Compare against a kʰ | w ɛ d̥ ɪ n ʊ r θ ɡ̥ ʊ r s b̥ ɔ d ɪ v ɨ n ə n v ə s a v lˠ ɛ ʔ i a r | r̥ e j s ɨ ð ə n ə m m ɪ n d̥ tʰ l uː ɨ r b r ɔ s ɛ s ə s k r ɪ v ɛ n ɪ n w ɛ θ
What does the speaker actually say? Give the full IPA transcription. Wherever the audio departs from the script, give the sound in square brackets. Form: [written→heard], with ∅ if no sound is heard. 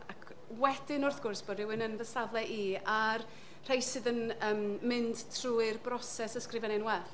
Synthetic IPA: a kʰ | w ɛ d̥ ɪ n ʊ r θ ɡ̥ ʊ r s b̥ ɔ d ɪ [v→w] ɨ n ə n v ə s a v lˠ ɛ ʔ i a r | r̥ e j s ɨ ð ə n ə m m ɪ n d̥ tʰ [l→r] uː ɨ r b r ɔ s ɛ s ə s k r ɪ v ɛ n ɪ n w ɛ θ